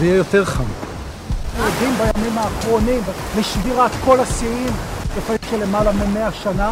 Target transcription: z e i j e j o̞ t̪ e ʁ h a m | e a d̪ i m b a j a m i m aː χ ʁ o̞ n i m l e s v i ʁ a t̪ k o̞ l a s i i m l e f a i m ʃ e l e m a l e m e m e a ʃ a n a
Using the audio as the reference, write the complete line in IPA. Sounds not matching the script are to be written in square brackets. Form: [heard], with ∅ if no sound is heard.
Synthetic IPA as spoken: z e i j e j o̞ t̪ e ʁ [χ] a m | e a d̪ i m b a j a m i m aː χ ʁ o̞ n i m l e [ʃ] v i ʁ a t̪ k o̞ l a s i i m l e f a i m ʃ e l e m a l [a] m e m e a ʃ a n a